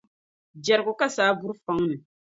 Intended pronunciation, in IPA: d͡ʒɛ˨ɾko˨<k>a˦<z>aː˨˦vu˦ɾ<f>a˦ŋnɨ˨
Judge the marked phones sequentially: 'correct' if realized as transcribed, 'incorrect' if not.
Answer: correct, incorrect, correct

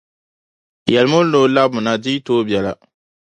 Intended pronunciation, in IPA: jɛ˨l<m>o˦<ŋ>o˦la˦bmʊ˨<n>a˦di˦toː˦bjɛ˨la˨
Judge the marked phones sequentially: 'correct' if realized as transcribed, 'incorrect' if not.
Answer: correct, incorrect, correct

